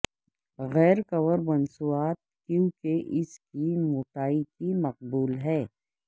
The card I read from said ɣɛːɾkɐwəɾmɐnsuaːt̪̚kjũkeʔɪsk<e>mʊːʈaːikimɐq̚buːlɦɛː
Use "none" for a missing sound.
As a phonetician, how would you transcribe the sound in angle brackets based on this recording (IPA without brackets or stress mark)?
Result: i